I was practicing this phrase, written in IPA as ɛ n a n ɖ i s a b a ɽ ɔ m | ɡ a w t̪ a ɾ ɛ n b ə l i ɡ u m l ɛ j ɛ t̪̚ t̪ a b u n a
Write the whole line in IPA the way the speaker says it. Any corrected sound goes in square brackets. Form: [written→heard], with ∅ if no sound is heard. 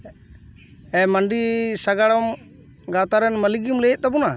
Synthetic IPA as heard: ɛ [n→m] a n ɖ i s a [b→ɡ] a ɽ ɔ m | ɡ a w t̪ a ɾ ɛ n [b→m] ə l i ɡ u m l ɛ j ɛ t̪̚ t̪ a b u n a